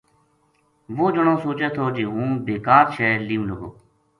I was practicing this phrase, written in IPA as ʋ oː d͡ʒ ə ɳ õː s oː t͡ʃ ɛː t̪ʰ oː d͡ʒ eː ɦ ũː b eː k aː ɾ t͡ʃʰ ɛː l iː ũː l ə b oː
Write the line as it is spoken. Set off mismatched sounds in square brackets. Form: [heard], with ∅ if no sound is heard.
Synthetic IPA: ʋ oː d͡ʒ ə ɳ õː s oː t͡ʃ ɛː t̪ʰ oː d͡ʒ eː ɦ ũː b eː k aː ɾ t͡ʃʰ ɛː l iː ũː l ə [ɡ] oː

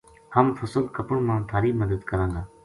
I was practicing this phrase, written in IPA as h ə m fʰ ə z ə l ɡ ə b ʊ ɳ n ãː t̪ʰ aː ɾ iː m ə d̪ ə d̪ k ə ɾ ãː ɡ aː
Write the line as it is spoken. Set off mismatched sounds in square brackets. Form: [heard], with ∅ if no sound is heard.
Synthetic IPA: h ə m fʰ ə [s] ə l [k] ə [p] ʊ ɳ [m] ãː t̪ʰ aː ɾ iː m ə d̪ ə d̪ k ə ɾ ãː ɡ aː

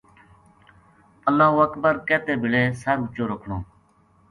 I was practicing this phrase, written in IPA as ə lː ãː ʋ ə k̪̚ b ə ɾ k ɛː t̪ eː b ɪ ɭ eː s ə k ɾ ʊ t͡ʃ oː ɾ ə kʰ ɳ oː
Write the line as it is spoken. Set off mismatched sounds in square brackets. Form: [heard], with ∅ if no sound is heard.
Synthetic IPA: ə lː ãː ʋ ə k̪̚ b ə ɾ k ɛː t̪ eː b ɪ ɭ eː s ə [∅] ɾ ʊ t͡ʃ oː ɾ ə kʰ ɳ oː

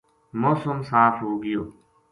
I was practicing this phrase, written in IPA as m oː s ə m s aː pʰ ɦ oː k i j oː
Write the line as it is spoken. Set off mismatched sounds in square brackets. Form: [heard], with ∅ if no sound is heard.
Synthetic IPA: m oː s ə m s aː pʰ ɦ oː [ɡ] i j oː

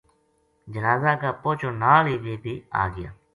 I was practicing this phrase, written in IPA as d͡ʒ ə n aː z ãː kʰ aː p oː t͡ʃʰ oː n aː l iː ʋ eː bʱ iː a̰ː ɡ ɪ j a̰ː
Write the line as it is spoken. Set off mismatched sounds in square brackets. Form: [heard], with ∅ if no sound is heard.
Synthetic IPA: d͡ʒ ə n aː z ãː [k] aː p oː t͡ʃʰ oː n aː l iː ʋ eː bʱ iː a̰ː ɡ ɪ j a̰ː

